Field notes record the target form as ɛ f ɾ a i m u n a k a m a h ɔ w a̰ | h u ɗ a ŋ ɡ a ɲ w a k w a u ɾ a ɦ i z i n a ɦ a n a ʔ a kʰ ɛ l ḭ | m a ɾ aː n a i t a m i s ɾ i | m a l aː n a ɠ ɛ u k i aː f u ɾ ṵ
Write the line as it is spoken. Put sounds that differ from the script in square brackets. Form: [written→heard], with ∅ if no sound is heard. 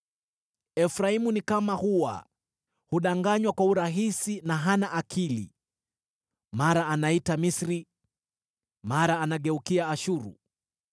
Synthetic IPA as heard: ɛ f ɾ a i m u n [a→i] k a m a h [ɔ→u] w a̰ | h u ɗ a ŋ ɡ a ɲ w a k w a u ɾ a ɦ i [z→s] i n a ɦ a n a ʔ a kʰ [ɛ→i] l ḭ | m a ɾ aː n a i t a m i s ɾ i | m a [l→ɾ] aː n a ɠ ɛ u k i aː [f→ʃ] u ɾ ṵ